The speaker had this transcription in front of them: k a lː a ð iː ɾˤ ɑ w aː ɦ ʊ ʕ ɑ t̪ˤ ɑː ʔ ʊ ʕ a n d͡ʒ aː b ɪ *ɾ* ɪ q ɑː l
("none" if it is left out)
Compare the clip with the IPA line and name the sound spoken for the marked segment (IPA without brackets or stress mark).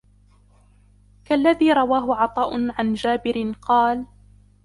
ɾ